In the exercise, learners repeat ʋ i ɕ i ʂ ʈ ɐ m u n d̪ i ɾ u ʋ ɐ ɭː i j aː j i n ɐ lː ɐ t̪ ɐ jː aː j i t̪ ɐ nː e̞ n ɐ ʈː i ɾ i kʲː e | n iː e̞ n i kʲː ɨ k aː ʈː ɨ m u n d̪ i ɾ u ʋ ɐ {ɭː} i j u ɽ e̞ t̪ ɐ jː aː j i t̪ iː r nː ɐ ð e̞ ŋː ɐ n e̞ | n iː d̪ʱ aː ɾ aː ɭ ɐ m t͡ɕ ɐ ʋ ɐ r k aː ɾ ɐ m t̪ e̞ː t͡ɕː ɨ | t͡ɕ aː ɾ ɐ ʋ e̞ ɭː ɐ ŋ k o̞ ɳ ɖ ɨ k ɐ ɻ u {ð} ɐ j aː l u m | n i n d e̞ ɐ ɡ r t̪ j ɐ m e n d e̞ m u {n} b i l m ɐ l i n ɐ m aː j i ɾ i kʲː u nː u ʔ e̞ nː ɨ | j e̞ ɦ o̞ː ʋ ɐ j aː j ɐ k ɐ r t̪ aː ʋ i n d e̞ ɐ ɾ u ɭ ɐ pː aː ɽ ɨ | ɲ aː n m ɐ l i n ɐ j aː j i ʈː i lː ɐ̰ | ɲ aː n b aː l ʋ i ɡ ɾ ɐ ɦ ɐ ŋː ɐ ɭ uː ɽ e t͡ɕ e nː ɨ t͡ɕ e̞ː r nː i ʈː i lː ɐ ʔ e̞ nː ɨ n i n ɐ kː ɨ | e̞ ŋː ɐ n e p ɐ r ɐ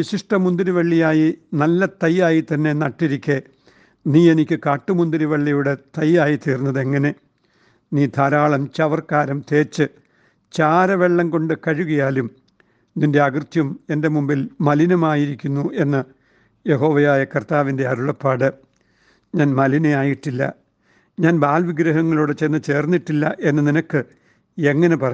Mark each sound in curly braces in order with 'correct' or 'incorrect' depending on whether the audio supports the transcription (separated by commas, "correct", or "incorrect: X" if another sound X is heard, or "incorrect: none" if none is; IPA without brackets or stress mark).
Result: correct, incorrect: ɣ, incorrect: m